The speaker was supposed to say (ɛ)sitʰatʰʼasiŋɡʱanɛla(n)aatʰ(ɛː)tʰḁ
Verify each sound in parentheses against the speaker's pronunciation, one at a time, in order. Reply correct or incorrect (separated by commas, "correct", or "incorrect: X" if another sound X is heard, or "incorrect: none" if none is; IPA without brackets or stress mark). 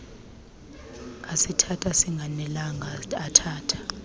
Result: incorrect: a, incorrect: ŋ, incorrect: aː